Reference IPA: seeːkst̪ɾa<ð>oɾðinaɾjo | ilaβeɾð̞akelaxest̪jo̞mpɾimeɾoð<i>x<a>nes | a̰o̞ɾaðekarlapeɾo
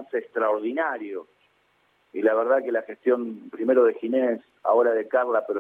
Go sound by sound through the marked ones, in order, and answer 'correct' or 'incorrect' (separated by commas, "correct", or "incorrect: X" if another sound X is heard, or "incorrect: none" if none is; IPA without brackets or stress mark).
incorrect: none, incorrect: e, incorrect: i